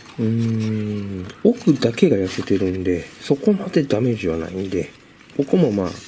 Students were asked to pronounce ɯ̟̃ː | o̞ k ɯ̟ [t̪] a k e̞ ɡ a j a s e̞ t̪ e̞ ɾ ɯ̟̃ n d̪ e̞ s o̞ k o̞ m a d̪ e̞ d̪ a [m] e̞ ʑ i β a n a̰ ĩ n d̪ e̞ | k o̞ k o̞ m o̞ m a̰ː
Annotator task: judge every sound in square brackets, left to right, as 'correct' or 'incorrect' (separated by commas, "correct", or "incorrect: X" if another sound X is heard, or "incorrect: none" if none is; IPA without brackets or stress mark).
incorrect: d̪, correct